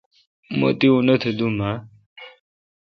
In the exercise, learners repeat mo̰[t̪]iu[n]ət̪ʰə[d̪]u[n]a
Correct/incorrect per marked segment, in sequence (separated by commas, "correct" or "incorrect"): correct, correct, correct, incorrect